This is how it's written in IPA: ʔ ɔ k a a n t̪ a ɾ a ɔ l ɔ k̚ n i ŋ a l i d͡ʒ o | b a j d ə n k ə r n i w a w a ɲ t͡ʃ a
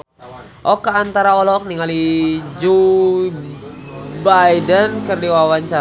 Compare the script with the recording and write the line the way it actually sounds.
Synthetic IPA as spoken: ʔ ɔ k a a n t̪ a ɾ a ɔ l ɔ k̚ n i ŋ a l i d͡ʒ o | b a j d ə n k ə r d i w a w a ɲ t͡ʃ a